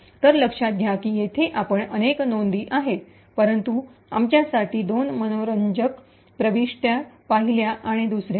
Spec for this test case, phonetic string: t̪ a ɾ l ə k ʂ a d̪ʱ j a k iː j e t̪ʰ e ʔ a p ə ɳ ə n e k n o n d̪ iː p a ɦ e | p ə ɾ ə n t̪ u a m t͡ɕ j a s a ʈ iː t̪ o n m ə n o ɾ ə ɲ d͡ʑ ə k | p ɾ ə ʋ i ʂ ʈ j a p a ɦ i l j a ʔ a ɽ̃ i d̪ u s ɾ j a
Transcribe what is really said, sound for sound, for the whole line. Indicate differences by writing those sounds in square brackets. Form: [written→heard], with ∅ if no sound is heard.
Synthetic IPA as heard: t̪ [a→ə] ɾ l ə k ʂ a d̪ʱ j a k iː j e t̪ʰ e ʔ a p ə ɳ ə n e k n o n d̪ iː [p→ʔ] a ɦ e | p ə ɾ ə n t̪ u a m t͡ɕ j a s a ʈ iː [t̪→d̪] o n m ə n o ɾ ə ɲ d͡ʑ ə k | p ɾ ə ʋ i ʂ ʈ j a p a ɦ i l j a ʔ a ɽ̃ i d̪ u s ɾ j a

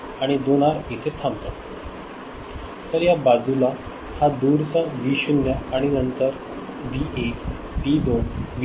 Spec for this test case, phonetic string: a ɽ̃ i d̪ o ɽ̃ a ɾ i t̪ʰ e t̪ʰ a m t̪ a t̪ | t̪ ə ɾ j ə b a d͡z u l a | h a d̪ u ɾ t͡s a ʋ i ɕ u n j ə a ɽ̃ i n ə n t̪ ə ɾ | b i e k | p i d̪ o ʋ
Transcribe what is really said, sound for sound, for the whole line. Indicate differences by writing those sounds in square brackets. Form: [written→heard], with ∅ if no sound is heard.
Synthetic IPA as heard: a ɽ̃ i d̪ o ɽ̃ a ɾ i t̪ʰ e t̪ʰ a m t̪ a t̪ | t̪ ə ɾ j [ə→a] b a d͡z u l a | h a d̪ u ɾ t͡s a ʋ i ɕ u n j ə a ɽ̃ i n ə n t̪ ə ɾ | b i e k | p i d̪ o ʋ

